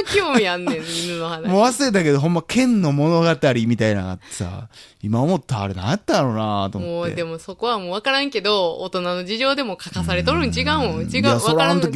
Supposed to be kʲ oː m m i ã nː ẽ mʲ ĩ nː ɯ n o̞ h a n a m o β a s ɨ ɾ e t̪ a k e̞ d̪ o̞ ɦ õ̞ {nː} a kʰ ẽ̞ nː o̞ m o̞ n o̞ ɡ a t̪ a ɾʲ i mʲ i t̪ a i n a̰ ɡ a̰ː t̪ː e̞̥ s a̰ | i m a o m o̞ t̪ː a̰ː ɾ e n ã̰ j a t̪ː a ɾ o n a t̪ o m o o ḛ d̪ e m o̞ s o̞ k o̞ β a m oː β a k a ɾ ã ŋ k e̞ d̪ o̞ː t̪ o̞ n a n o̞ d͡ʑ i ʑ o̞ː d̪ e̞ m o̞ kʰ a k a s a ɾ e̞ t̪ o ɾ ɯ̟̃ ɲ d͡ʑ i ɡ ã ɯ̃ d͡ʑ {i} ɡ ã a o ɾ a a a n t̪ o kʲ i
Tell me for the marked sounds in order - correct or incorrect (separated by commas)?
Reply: incorrect, correct